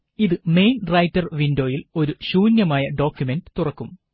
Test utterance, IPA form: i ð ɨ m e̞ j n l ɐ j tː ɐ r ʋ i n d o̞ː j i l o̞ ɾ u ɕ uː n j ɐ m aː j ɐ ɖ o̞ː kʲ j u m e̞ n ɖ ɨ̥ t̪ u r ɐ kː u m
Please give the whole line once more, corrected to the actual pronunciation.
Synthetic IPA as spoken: i ð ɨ m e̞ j n r ɐ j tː ɐ r ʋ i n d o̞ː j i l o̞ ɾ u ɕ uː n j ɐ m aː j ɐ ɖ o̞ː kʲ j u m e̞ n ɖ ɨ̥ t̪ u r ɐ kː u m